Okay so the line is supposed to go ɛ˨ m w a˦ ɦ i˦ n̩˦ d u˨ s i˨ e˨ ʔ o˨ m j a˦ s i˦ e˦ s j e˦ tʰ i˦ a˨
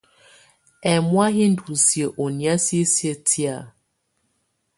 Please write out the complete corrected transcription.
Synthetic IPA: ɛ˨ m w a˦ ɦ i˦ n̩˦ d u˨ s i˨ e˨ ʔ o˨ n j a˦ s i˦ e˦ s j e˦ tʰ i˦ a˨